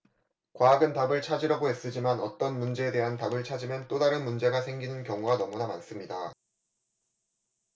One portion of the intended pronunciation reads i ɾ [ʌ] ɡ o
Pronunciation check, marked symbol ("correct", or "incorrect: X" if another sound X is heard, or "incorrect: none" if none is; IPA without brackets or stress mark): correct